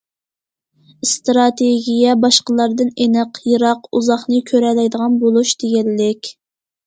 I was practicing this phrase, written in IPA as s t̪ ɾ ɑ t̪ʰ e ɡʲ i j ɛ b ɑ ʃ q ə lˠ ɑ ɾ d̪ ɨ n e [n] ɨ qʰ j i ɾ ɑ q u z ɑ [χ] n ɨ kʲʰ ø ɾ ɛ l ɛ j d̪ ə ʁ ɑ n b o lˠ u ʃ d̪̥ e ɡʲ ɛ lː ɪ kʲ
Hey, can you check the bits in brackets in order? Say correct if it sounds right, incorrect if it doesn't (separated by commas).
correct, correct